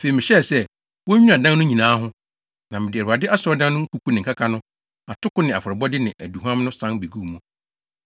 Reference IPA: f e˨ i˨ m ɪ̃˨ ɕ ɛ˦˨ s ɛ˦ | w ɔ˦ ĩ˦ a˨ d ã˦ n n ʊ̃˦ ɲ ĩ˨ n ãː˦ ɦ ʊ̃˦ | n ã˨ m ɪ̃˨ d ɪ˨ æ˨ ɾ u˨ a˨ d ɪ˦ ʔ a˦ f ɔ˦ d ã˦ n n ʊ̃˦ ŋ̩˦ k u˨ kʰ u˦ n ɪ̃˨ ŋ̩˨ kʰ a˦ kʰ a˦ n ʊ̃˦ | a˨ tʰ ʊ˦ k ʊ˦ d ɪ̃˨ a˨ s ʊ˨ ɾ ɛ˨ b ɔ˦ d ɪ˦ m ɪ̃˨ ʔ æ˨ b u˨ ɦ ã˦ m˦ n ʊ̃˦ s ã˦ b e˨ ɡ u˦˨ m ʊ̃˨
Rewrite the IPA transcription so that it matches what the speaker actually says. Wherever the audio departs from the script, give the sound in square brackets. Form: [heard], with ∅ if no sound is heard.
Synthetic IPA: f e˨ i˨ m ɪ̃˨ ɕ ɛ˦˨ s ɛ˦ | w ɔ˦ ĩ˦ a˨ d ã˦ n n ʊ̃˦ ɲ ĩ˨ n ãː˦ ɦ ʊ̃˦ | n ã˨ m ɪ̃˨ d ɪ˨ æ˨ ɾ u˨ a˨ d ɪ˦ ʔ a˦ [s] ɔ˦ d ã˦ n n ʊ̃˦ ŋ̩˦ k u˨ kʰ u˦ n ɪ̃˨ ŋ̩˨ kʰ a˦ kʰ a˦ n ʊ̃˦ | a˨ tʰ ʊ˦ k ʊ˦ [n] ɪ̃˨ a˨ [f] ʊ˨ ɾ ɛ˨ b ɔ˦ d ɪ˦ [n] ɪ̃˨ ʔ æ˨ [d] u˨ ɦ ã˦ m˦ n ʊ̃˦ s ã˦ b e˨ ɡ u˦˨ m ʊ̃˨